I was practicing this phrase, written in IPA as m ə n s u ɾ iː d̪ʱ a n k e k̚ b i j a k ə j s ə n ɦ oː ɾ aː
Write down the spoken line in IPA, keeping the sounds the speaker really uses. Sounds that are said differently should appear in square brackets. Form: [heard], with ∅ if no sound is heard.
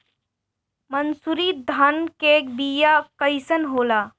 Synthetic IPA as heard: m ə n s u ɾ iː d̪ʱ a n k e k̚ b i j a k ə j s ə n ɦ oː [l] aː